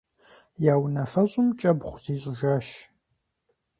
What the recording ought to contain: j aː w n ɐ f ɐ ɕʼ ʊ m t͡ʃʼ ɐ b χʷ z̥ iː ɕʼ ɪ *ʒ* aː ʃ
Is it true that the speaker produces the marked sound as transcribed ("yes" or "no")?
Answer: yes